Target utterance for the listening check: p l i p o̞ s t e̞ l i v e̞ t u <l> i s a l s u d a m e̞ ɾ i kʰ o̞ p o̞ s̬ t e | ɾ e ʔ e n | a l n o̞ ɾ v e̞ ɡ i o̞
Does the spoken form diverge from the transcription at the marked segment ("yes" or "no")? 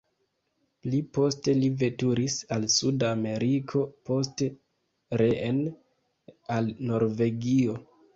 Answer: yes